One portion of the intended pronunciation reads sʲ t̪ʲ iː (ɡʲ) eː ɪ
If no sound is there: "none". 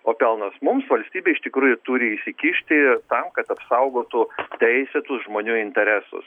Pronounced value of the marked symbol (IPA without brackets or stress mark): bʲ